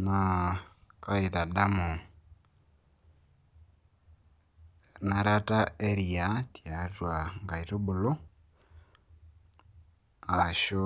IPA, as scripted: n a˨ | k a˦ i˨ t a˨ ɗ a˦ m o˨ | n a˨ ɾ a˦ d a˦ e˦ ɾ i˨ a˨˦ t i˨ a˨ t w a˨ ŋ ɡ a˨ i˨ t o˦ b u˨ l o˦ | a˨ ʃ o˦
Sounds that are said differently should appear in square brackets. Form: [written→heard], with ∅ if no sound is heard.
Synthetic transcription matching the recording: n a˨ | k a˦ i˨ t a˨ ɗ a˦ m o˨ | n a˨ ɾ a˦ [d→t] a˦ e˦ ɾ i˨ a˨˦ t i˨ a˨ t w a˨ ŋ ɡ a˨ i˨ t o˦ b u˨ l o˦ | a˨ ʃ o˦